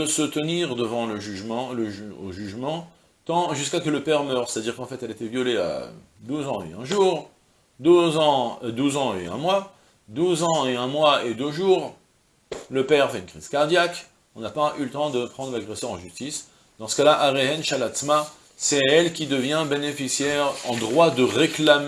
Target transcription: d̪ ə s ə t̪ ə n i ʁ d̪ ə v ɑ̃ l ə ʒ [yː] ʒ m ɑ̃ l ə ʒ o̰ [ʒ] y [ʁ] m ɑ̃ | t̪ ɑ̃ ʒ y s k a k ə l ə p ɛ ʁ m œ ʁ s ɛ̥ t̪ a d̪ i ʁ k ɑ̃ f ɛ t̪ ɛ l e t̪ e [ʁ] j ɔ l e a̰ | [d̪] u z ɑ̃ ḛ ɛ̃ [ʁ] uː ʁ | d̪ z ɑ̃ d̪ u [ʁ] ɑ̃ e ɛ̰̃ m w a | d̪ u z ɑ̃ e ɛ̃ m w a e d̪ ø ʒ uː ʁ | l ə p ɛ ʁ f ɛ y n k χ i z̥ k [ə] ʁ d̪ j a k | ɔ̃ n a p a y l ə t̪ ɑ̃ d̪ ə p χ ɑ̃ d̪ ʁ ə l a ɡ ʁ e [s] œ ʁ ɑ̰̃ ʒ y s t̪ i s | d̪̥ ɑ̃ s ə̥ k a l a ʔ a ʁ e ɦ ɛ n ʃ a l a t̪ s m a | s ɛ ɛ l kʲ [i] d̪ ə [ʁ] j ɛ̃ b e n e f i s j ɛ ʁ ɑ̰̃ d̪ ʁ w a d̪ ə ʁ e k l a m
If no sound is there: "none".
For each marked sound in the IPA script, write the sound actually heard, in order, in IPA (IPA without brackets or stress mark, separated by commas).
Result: y, ʒ, ʒ, v, d̪, ʒ, z, a, s, i, v